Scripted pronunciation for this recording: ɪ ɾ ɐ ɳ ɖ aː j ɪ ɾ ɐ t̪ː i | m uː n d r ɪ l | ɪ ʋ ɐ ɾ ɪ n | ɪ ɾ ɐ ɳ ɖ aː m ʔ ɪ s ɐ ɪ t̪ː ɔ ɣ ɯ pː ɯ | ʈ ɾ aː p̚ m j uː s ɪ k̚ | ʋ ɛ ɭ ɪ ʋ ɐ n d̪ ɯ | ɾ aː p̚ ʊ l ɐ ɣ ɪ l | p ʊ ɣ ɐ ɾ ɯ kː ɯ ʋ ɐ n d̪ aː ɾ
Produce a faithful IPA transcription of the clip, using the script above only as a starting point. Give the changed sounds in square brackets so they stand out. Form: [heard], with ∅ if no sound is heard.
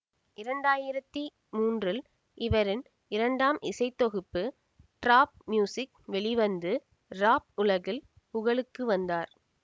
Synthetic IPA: ɪ ɾ ɐ ɳ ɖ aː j ɪ ɾ ɐ t̪ː i | m uː n d r ɪ l | ɪ ʋ ɐ ɾ ɪ n | ɪ ɾ ɐ ɳ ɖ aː m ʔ ɪ s ɐ ɪ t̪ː ɔ ɣ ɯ pː ɯ | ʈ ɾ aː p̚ m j uː s ɪ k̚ | ʋ ɛ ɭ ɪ ʋ ɐ n d̪ ɯ | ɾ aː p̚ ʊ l ɐ ɣ ɪ l | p ʊ ɣ ɐ [ɭ] ɯ kː ɯ ʋ ɐ n d̪ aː ɾ